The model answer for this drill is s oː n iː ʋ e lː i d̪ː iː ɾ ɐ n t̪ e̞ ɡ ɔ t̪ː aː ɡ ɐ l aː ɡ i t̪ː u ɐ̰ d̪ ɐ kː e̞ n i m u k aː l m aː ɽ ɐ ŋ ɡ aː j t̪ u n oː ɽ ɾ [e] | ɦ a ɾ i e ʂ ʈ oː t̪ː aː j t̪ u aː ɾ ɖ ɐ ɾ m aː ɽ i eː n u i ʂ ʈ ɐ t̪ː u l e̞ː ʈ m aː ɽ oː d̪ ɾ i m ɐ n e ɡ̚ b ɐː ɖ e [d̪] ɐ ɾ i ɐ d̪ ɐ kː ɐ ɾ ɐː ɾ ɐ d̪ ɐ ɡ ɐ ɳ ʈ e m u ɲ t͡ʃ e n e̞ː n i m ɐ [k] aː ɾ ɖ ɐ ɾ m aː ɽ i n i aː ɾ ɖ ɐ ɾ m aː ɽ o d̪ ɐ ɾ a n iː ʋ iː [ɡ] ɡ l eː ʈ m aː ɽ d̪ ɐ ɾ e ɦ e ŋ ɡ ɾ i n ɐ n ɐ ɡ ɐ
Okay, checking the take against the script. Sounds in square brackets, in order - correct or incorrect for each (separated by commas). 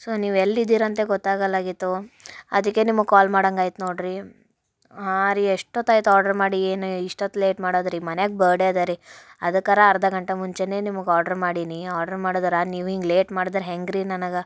incorrect, correct, incorrect, incorrect